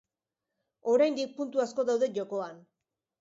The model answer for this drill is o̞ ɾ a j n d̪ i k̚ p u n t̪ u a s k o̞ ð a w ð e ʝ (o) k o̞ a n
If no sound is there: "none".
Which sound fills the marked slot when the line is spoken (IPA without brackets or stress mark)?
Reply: o